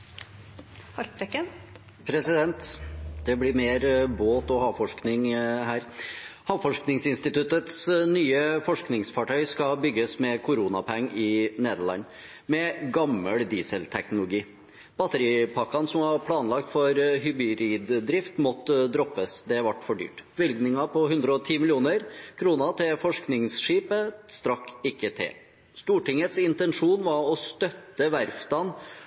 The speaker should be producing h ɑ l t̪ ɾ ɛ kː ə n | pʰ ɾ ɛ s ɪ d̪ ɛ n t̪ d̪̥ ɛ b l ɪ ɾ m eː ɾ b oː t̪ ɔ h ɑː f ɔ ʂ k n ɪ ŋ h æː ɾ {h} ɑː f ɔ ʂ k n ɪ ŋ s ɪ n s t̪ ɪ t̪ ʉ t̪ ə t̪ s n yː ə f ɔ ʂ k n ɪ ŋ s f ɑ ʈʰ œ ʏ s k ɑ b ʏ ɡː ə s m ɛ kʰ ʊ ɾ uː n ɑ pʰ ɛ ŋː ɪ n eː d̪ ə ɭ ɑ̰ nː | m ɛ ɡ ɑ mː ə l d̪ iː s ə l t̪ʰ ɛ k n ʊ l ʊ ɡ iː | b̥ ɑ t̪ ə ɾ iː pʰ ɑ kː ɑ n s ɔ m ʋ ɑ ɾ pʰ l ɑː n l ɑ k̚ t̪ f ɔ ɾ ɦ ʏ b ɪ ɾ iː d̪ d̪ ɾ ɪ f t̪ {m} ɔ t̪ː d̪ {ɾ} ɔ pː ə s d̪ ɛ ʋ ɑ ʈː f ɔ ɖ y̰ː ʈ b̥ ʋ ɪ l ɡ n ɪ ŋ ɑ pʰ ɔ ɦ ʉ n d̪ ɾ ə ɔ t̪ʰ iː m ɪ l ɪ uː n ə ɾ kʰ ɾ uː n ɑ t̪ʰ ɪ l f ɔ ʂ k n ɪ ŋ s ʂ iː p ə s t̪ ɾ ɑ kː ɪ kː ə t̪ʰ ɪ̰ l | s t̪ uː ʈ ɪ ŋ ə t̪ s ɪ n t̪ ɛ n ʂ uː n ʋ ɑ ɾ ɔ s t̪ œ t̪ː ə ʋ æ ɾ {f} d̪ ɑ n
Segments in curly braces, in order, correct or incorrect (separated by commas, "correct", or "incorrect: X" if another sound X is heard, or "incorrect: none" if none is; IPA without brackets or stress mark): correct, correct, correct, correct